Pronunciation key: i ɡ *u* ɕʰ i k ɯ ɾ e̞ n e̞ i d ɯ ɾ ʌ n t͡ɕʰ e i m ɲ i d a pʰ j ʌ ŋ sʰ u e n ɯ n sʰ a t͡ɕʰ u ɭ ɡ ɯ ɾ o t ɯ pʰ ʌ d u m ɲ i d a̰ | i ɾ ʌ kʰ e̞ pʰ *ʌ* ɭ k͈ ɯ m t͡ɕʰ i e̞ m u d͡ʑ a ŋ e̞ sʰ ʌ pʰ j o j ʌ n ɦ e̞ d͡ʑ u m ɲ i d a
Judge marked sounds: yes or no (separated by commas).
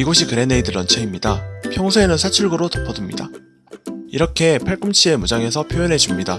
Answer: no, no